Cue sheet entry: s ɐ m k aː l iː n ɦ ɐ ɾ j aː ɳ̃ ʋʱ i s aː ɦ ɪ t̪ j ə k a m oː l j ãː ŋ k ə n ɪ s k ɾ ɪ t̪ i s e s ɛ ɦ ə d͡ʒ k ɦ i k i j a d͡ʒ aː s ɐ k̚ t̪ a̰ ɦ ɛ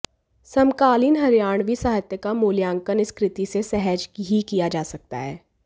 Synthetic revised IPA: s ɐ m k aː l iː n ɦ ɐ ɾ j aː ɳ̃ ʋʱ i s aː ɦ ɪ t̪ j ə k a m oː l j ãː ŋ k ə n ɪ s k ɾ ɪ t̪ i s e s ɛ ɦ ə d͡ʒ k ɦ i k i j a d͡ʒ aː s ɐ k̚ t̪ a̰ ɦ ɛː